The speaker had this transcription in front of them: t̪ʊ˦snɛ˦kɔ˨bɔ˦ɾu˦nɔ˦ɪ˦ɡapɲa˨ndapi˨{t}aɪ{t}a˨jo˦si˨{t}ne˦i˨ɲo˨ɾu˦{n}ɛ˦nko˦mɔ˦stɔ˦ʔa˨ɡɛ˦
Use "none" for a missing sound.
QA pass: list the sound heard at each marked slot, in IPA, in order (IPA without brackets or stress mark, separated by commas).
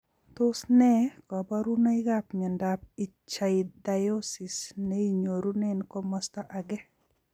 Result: t͡ʃ, d, s, n